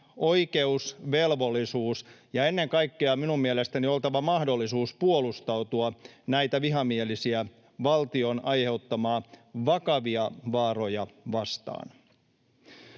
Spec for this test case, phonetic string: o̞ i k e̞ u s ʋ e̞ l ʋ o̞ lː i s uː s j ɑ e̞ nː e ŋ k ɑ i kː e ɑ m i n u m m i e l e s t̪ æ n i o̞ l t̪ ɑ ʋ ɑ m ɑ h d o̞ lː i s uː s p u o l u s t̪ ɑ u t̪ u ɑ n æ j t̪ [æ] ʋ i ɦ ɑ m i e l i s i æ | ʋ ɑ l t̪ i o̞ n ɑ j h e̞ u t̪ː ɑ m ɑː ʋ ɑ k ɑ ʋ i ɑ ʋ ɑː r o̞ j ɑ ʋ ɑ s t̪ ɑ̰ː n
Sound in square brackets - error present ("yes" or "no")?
no